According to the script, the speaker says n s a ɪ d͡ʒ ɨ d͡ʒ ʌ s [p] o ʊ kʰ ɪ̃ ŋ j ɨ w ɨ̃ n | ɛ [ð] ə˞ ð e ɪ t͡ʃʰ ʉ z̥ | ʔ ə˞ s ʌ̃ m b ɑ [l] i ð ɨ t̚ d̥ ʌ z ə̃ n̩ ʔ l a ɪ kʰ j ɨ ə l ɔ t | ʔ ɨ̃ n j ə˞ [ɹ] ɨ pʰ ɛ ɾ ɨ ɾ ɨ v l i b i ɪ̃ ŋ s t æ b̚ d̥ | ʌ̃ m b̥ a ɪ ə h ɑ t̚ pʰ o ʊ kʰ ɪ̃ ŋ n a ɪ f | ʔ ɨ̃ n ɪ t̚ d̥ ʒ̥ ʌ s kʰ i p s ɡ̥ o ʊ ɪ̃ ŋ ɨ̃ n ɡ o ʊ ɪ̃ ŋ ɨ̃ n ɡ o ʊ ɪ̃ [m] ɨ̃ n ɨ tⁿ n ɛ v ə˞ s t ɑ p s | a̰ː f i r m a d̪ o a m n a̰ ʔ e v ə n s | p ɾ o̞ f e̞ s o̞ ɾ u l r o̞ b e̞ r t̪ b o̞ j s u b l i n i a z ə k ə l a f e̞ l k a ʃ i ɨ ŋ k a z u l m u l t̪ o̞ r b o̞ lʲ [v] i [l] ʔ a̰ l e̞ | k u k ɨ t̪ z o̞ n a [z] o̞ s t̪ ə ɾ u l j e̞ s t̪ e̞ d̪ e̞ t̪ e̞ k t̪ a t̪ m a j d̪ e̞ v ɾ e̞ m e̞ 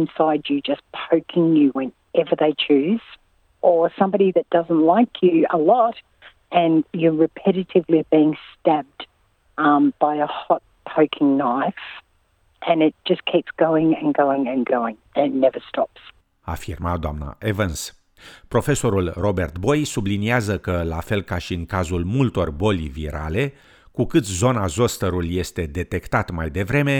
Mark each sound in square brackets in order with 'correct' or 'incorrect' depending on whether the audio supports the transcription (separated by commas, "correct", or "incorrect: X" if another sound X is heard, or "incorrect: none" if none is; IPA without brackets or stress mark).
incorrect: pʰ, incorrect: v, incorrect: ɾ, correct, incorrect: ŋ, correct, incorrect: ɾ, correct